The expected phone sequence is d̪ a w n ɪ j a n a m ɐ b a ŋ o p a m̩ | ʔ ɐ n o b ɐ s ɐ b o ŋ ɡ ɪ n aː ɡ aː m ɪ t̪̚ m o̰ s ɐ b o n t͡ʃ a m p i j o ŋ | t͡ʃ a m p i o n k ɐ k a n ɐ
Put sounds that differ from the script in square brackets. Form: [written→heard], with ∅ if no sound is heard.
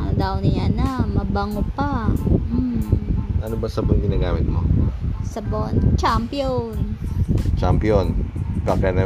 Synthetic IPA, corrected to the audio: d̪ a w n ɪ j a n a m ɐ b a ŋ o p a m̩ | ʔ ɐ n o b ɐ s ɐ b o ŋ ɡ ɪ n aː ɡ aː m ɪ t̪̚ m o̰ s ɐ b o n t͡ʃ a m p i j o [ŋ→n] | t͡ʃ a m p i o n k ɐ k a n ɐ